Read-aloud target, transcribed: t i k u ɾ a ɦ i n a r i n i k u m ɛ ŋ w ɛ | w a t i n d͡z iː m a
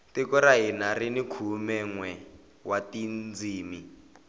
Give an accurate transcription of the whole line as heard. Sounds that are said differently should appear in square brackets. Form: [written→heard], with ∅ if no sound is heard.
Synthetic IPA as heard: t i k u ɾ a ɦ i n a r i n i [k→kʰ] u m ɛ ŋ w ɛ | w a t i n d͡z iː m [a→i]